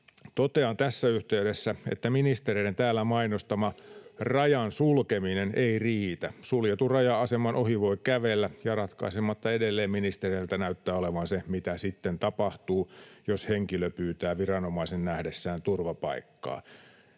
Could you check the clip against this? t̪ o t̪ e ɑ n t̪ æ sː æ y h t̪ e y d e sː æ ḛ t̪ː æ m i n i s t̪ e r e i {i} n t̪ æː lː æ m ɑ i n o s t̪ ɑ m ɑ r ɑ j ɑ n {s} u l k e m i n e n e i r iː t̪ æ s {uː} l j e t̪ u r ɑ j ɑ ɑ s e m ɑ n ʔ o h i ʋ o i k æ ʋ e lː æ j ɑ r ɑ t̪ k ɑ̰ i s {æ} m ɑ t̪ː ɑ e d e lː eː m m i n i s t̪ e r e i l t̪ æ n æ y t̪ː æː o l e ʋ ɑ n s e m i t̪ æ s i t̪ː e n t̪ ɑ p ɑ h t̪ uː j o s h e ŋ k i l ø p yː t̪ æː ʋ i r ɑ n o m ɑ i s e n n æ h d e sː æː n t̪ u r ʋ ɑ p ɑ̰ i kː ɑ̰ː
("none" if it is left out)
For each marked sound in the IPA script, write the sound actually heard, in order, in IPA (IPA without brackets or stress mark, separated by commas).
e, s, u, e